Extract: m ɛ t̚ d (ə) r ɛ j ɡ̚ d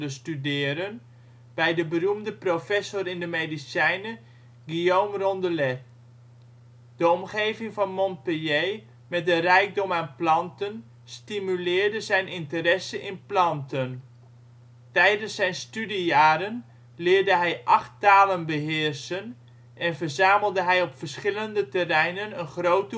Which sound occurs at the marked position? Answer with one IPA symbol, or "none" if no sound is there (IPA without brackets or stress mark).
ə